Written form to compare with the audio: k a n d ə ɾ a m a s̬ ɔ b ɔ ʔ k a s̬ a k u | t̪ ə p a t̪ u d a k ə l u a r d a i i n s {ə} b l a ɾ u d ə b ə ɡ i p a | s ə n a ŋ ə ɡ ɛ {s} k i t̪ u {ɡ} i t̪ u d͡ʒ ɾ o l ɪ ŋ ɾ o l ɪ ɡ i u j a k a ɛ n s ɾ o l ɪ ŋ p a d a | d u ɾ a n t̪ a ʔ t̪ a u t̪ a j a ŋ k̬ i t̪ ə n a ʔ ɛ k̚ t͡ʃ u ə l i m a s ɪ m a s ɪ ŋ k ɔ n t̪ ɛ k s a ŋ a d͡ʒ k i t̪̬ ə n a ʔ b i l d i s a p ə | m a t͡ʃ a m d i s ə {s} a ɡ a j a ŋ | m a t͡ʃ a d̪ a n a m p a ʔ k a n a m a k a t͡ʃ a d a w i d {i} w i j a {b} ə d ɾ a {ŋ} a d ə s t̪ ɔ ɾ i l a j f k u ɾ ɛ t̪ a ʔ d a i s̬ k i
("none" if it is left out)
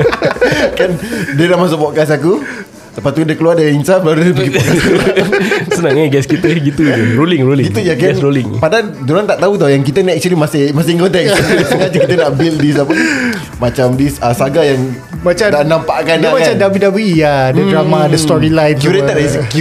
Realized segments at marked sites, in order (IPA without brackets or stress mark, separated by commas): a, s, ɡ, s, a, d, m